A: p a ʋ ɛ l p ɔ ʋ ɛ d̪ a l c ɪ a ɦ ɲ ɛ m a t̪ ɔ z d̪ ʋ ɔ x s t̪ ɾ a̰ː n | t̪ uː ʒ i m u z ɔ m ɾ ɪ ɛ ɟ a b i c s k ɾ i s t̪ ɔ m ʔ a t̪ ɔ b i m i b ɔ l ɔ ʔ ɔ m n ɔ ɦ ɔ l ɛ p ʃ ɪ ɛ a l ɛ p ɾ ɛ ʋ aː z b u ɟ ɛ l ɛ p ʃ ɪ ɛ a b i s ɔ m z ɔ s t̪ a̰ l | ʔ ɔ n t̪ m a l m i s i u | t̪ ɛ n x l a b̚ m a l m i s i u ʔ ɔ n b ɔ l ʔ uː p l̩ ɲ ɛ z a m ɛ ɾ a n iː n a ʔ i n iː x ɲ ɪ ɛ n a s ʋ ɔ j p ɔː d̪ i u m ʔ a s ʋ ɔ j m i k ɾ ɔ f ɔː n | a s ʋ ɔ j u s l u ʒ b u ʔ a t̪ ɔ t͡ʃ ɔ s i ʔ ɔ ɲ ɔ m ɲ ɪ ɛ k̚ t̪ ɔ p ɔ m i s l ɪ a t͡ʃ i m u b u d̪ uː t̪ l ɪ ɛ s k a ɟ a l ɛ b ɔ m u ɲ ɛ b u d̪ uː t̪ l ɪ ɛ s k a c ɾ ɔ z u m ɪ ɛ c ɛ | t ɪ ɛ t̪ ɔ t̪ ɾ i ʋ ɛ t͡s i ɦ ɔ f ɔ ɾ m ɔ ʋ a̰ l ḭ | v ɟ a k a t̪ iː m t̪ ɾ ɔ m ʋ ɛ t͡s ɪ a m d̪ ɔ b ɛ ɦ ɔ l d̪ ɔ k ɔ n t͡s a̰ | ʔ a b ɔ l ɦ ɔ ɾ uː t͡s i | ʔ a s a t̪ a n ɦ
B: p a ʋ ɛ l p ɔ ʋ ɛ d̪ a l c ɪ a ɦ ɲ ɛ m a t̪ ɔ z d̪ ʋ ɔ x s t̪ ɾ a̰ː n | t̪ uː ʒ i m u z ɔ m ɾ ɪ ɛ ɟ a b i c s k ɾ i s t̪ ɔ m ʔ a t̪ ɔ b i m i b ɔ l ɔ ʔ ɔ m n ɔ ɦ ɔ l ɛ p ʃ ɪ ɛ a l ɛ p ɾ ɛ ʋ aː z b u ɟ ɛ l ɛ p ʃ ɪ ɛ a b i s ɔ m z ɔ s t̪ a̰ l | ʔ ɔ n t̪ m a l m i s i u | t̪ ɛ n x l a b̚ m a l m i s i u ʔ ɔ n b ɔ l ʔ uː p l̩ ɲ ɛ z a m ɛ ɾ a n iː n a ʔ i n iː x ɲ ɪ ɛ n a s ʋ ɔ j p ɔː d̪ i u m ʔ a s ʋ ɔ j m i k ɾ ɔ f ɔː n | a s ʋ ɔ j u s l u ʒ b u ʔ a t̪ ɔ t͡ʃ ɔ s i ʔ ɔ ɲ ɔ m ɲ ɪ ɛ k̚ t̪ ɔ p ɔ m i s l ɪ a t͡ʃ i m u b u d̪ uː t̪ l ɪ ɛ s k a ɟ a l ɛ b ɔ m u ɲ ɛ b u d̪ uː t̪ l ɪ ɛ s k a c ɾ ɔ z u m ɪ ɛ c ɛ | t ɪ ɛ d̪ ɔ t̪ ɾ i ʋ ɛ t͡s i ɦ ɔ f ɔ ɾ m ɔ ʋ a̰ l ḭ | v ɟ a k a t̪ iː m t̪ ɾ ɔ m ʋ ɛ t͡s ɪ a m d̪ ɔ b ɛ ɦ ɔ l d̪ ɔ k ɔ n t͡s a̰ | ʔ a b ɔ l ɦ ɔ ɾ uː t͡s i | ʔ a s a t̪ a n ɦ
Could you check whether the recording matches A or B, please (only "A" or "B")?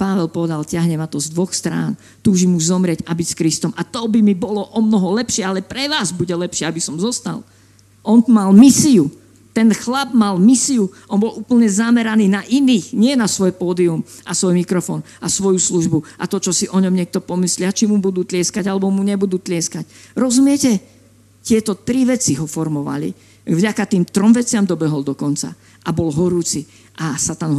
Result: A